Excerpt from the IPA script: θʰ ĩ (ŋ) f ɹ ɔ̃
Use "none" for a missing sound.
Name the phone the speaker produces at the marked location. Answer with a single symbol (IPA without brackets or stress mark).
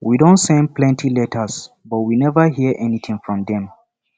ŋ